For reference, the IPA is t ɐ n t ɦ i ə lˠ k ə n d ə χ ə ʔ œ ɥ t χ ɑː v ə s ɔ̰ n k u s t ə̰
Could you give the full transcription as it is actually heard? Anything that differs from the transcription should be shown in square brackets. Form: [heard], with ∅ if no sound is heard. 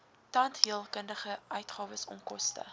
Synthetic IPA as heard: t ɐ n t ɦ i ə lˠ k ə n d ə χ ə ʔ œ ɥ t χ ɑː v ə s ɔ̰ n k [ɔ] s t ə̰